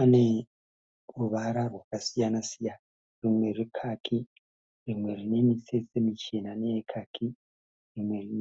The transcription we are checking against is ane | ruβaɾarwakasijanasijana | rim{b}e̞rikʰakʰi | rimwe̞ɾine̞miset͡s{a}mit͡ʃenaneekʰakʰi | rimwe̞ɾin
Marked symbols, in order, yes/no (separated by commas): no, no